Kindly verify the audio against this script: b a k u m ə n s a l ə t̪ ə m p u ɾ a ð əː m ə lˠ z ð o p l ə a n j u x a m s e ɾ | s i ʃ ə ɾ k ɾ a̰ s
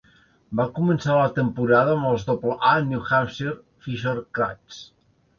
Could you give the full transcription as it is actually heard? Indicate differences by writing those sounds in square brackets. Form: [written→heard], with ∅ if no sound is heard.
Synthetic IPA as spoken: b a k u m ə n s a l ə t̪ ə m p u ɾ a ð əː m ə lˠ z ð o p l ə a n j u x a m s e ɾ | [s→f] i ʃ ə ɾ k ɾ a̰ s

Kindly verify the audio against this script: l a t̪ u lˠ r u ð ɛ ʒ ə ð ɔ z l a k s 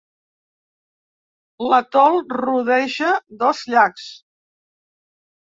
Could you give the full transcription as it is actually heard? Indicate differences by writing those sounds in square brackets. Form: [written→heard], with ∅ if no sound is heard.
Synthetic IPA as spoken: l [a→ə] t̪ [u→ɔ] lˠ r u ð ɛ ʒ ə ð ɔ z [l→ʎ] a k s

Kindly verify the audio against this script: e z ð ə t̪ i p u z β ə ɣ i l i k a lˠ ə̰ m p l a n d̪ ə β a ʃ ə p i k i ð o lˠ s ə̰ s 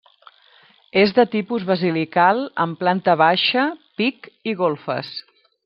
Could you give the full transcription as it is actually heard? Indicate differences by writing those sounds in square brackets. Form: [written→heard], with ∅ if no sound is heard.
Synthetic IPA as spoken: e z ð ə t̪ i p u z β ə [ɣ→z] i l i k a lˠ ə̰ m p l a n [d̪→t̪] ə β a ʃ ə p i k i [ð→ɣ] o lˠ [s→f] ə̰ s

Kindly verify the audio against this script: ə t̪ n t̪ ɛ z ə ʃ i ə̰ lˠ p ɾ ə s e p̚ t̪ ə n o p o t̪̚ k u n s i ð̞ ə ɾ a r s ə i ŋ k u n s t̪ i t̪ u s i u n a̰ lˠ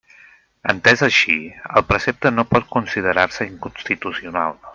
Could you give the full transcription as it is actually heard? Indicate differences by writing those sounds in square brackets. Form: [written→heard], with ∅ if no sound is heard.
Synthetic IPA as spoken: ə [t̪→∅] n t̪ ɛ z ə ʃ i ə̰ lˠ p ɾ ə s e p̚ t̪ ə n o p [o→ɔ] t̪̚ k u n s i ð̞ ə ɾ a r s ə i ŋ k u n s t̪ i t̪ u s i u n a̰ lˠ

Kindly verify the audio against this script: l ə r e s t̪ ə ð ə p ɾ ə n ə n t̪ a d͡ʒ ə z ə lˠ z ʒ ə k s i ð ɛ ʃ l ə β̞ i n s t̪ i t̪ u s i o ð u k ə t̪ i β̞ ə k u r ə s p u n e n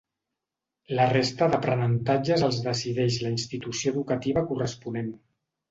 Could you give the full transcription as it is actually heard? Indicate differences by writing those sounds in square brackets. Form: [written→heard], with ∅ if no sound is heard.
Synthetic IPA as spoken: l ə r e s t̪ ə ð ə p ɾ ə n ə n t̪ a d͡ʒ ə z ə lˠ z [ʒ→ð] ə [k→∅] s i ð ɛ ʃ l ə [β̞→∅] i n s t̪ i t̪ u s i o ð u k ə t̪ i β̞ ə k u r ə s p u n e n

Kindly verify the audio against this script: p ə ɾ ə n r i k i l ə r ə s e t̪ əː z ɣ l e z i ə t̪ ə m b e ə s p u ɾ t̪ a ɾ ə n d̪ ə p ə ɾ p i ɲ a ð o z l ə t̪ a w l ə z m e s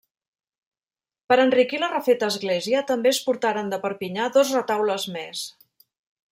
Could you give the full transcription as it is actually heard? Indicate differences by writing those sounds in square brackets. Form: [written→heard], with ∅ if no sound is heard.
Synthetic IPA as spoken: p ə ɾ ə n r i k i l ə r ə [s→f] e t̪ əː z ɣ l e z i ə t̪ ə m b e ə s p u ɾ t̪ a ɾ ə n d̪ ə p ə ɾ p i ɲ a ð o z [l→r] ə t̪ a w l ə z m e s

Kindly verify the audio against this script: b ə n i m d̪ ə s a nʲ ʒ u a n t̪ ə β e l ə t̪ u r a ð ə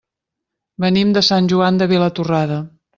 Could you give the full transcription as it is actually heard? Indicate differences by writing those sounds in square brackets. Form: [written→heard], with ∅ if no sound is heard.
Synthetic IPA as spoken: b ə n i m d̪ ə s a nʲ ʒ u a n [t̪→d̪] ə β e l ə t̪ u r a ð ə

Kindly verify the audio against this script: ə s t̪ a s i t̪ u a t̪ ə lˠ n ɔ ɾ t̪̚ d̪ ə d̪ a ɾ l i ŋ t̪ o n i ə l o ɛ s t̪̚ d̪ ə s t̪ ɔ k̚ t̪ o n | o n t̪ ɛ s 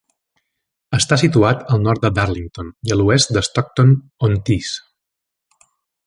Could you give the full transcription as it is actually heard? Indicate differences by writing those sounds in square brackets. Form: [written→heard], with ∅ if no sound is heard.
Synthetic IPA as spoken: ə s t̪ a s i t̪ u a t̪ ə lˠ n ɔ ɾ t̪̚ d̪ ə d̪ a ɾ l i ŋ t̪ o n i ə l [o→u] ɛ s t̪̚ d̪ ə s t̪ ɔ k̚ t̪ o n | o n t̪ [ɛ→i] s

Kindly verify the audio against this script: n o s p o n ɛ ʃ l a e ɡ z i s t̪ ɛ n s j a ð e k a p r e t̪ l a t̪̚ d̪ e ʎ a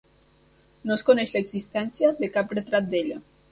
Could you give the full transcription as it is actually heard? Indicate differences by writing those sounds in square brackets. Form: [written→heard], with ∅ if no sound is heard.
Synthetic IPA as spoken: n o s [p→k] o n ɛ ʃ l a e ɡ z i s t̪ ɛ n s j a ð e k a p r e t̪ [l→ɾ] a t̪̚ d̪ e ʎ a

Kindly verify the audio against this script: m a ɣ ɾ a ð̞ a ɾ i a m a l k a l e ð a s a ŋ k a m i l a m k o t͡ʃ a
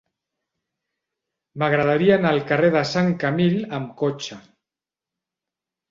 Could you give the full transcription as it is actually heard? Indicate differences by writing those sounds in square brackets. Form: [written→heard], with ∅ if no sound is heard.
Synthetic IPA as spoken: m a ɣ ɾ a ð̞ a ɾ i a [m→n] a l k a [l→r] e ð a s a ŋ k a m i l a m k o t͡ʃ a

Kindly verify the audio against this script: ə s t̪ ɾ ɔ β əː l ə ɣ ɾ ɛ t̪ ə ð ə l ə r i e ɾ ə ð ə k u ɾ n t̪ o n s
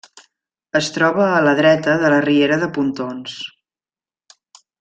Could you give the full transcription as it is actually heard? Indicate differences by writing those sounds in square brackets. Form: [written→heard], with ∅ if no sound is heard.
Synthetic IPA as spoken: ə s t̪ ɾ ɔ β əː l ə [ɣ→ð] ɾ ɛ t̪ ə ð ə l ə r i e ɾ ə ð ə [k→p] u [ɾ→∅] n t̪ o n s

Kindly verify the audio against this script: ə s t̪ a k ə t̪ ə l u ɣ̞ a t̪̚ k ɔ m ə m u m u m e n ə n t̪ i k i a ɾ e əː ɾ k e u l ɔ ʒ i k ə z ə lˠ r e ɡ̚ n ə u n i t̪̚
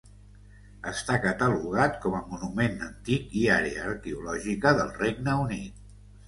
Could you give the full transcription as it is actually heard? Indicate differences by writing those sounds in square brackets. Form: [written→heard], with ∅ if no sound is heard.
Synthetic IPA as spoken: ə s t̪ a k ə t̪ ə l u ɣ̞ a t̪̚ k ɔ m ə m u [m→n] u m e n ə n t̪ i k i a ɾ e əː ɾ k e u l ɔ ʒ i k ə [z→ð] ə lˠ r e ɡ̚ n ə u n i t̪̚

